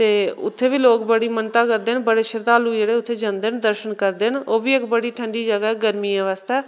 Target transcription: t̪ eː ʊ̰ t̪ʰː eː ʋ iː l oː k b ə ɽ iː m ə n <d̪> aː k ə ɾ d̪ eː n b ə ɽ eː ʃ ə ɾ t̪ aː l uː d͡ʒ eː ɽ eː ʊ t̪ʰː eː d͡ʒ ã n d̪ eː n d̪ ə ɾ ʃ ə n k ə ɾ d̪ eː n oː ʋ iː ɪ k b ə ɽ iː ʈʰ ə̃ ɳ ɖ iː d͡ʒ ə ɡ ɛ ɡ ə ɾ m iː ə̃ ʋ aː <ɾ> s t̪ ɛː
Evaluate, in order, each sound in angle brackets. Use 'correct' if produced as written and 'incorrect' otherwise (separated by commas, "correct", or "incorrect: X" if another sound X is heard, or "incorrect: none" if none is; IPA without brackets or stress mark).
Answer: incorrect: t̪, incorrect: none